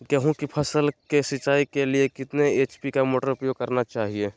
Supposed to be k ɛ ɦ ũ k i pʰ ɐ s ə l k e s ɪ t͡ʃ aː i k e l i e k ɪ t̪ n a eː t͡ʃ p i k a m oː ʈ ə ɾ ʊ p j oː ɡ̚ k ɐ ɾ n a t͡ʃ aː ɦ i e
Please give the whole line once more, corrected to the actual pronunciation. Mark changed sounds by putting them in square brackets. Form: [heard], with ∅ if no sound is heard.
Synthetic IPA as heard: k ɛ ɦ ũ k i pʰ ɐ s ə l k e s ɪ t͡ʃ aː i k e l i e k ɪ t̪ n [e] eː t͡ʃ p i k a m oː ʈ ə ɾ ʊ p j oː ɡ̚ k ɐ ɾ n a t͡ʃ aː ɦ i e

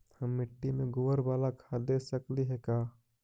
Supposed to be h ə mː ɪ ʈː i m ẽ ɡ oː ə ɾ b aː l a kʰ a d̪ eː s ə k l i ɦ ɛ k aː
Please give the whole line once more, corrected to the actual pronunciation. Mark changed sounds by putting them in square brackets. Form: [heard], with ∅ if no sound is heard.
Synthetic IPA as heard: h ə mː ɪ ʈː i m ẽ ɡ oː ə ɾ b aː l a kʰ a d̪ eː s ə k l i ɦ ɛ k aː

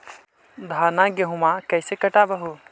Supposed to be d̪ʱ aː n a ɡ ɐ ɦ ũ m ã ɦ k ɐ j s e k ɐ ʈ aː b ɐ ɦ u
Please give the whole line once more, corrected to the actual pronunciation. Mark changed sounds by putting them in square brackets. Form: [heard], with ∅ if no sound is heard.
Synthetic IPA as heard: d̪ʱ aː n a ɡ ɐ ɦ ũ m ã [∅] k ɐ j s e k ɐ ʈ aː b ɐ ɦ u

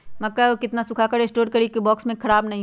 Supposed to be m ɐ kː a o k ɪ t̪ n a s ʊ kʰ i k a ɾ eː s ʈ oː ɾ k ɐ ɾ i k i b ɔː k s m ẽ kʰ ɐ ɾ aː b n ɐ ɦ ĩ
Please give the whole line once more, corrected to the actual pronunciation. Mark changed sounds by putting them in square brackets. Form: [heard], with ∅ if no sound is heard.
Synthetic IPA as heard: m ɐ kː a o k ɪ t̪ n a s ʊ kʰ [a] k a ɾ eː s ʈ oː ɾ k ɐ ɾ i k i b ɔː k s m ẽ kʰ ɐ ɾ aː b n ɐ ɦ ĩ

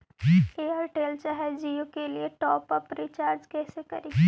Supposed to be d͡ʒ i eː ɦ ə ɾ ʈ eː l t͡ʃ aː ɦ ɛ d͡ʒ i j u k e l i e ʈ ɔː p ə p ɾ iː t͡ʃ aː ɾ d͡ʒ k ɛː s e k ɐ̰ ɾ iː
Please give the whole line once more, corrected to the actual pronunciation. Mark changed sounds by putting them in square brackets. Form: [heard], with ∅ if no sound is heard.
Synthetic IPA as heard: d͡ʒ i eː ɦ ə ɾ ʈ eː l t͡ʃ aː ɦ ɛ d͡ʒ i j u k e l i e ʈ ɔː p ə p ɾ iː t͡ʃ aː ɾ d͡ʒ k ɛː s e k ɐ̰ ɾ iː

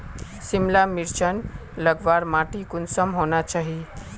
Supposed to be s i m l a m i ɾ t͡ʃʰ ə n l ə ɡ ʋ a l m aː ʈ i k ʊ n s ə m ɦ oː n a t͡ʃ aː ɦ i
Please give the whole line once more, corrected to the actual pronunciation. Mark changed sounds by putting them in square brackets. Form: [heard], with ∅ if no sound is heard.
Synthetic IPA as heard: s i m l a m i ɾ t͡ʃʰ ə n l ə ɡ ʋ a [ɾ] m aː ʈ i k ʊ n s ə m ɦ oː n a t͡ʃ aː ɦ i

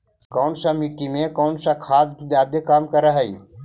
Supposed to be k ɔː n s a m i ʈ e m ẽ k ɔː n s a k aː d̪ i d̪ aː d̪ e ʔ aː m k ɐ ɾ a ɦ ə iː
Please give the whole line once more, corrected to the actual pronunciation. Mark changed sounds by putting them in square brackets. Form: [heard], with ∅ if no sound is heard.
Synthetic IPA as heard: k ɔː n s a m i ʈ [i] m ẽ k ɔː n s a [kʰ] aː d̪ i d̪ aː d̪ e [k] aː m k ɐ ɾ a ɦ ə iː

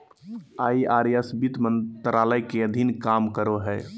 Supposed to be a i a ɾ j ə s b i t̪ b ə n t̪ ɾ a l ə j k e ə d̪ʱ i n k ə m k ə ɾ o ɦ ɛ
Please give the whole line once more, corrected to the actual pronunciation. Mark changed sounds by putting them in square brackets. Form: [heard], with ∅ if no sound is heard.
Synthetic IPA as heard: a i a ɾ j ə s b i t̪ [m] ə n t̪ ɾ a l ə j k e ə d̪ʱ i n k [a] m k ə ɾ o ɦ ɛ

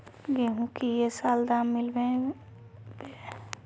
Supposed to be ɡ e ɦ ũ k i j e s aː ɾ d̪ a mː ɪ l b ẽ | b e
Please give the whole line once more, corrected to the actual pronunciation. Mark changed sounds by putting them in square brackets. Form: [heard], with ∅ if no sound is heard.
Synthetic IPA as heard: ɡ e ɦ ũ k i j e s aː [l] d̪ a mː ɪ l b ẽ | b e

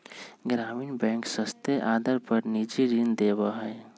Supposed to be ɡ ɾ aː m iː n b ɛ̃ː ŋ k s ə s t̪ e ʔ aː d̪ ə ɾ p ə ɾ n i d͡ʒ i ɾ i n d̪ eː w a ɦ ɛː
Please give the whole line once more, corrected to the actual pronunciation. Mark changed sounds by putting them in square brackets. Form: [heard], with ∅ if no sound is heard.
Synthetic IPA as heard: ɡ ɾ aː m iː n b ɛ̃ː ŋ k s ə s t̪ e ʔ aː d̪ ə ɾ p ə ɾ n i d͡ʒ i ɾ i n d̪ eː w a ɦ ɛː

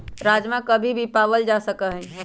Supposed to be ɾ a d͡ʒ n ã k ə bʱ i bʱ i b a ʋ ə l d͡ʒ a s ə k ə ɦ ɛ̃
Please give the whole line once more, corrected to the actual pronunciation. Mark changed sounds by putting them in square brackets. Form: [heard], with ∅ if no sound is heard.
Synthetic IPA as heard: ɾ a d͡ʒ [m] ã k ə bʱ i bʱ i [p] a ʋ ə l d͡ʒ a s ə k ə ɦ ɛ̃

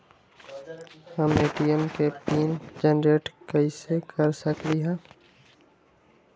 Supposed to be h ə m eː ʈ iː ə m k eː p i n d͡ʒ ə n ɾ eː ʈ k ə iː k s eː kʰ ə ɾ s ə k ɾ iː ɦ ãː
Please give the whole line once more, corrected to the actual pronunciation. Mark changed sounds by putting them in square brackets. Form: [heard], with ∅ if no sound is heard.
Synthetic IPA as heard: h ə m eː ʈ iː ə m k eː p [iː] n d͡ʒ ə n ɾ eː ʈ k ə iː [∅] s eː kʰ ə ɾ s ə k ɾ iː ɦ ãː

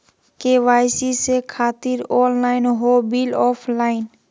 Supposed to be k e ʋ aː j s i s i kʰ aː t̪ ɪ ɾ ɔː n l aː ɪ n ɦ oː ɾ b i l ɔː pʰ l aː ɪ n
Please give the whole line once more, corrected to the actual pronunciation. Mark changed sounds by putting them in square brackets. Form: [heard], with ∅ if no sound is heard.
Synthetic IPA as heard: k e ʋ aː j s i s [e] kʰ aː t̪ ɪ ɾ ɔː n l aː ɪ n ɦ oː [∅] b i l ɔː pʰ l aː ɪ n

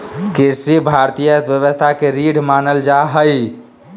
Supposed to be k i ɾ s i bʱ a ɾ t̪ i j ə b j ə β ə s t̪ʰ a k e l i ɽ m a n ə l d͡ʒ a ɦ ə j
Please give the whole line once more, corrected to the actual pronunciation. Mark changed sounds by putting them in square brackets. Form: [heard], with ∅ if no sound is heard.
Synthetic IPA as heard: k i ɾ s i bʱ a ɾ t̪ i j ə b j ə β ə s t̪ʰ a k e [ɾ] i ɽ m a n ə l d͡ʒ a ɦ ə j

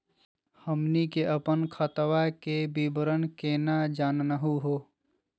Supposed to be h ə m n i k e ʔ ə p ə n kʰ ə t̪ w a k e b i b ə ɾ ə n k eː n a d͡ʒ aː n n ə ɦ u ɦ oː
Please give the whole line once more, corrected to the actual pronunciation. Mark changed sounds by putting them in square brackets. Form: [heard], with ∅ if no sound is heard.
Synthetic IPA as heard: h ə m n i k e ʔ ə p ə n kʰ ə t̪ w a k e b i b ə ɾ ə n k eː n a d͡ʒ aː n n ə ɦ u ɦ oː

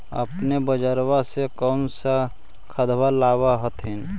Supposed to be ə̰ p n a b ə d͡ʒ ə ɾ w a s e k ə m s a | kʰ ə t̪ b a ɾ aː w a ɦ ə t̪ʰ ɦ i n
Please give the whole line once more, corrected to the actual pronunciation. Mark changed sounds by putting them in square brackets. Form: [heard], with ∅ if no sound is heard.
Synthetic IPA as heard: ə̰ p n [e] b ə d͡ʒ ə ɾ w a s e k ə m s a | kʰ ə [d̪] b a [l] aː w a ɦ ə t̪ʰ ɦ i n

